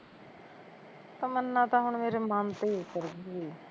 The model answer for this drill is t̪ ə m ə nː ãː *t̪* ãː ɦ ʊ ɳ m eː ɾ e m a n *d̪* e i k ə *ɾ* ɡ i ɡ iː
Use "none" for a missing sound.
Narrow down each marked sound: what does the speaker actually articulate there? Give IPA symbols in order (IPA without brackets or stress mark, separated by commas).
t̪, t̪, ɾ